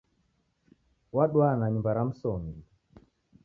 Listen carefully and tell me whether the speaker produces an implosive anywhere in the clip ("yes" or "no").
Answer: yes